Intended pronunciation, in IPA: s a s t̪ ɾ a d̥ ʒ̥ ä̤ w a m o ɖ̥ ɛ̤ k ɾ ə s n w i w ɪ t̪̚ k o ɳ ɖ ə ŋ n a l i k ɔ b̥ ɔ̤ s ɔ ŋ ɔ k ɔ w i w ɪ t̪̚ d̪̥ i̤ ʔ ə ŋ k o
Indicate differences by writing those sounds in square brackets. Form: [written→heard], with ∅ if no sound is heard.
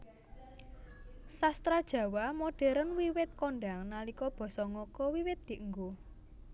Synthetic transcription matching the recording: s a s t̪ ɾ a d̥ ʒ̥ ä̤ w a m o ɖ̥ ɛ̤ [k→∅] ɾ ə [s→∅] n w i w ɪ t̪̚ k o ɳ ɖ [ə→a] ŋ n a l i k ɔ b̥ ɔ̤ s ɔ ŋ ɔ k ɔ w i w ɪ t̪̚ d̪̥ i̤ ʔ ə ŋ [k→ɡ] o